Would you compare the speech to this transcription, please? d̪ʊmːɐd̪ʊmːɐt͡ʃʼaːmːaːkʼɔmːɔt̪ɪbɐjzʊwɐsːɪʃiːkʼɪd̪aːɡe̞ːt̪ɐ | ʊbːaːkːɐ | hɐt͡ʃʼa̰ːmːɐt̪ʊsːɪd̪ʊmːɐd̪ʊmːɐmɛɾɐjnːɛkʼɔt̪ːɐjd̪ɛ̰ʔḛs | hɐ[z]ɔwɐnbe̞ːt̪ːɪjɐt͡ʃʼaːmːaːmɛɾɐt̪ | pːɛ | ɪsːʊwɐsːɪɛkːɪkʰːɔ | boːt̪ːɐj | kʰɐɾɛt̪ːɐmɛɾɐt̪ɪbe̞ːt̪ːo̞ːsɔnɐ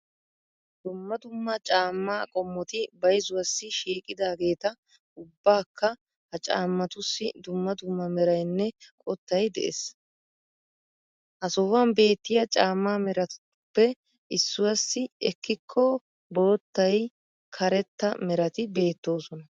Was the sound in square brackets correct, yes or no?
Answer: no